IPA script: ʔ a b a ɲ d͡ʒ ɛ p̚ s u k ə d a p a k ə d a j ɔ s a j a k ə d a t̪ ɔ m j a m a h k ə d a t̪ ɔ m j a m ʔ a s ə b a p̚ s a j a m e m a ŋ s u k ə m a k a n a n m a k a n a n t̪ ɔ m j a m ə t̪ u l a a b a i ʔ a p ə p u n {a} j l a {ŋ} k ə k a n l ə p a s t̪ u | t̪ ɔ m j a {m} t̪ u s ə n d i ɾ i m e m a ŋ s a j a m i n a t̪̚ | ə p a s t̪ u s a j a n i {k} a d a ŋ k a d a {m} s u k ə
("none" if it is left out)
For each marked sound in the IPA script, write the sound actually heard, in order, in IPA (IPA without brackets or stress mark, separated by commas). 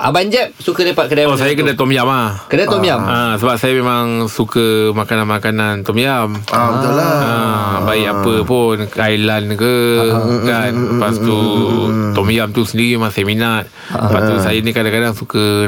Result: a, n, m, k, ŋ